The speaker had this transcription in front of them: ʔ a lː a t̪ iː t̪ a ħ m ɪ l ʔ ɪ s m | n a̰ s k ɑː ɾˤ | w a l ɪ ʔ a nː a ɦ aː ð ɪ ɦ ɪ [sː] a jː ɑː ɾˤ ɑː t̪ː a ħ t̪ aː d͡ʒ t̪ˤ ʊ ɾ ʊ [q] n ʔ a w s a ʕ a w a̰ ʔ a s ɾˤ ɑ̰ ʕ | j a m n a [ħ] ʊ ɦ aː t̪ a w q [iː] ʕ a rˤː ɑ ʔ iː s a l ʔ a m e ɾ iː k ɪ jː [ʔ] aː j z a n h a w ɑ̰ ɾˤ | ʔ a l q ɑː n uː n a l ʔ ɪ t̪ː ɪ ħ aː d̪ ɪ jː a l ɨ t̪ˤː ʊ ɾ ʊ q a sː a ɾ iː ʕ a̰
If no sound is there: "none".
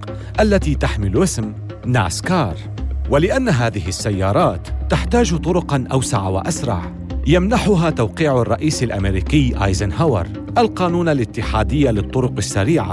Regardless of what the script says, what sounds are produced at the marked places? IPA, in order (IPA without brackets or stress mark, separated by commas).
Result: sː, q, ħ, iː, ʔ